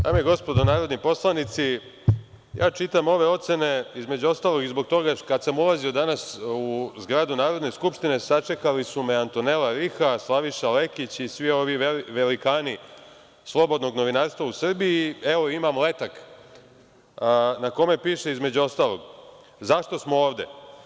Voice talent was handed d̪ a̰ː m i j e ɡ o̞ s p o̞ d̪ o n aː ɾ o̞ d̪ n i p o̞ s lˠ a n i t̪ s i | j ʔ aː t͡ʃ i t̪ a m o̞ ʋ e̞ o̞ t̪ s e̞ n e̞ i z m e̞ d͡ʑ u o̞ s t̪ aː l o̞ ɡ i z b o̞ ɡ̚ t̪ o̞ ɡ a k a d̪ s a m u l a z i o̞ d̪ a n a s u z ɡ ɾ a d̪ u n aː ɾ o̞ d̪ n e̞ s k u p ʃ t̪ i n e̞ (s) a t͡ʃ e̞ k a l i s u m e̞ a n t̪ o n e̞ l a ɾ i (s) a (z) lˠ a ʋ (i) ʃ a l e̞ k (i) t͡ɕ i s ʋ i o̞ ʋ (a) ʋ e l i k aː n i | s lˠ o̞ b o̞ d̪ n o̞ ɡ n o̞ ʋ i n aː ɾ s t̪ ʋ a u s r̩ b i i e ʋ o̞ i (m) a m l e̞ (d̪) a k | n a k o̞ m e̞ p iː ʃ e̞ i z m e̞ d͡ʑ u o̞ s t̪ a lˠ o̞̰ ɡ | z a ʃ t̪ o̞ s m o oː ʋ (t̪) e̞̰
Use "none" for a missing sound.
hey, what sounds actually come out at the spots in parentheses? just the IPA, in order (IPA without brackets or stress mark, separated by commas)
s, x, s, i, i, i, m, t̪, d̪